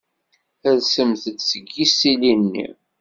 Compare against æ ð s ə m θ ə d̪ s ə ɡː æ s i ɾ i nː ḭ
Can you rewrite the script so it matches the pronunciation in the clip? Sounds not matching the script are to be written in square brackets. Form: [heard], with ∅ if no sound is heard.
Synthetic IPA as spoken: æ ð s ə m θ ə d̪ s ə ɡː [i] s i [l] i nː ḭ